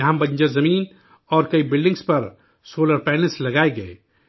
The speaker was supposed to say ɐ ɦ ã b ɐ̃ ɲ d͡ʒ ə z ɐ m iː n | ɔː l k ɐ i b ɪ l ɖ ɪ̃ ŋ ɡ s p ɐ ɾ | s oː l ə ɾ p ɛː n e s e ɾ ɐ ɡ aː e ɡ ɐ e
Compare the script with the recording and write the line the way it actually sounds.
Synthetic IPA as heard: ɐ ɦ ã b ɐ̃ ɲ d͡ʒ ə z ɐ m iː n | ɔː ɾ k ɐ i b ɪ l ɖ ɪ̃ ŋ ɡ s p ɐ ɾ | s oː l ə ɾ p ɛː n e s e l ɐ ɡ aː e ɡ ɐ e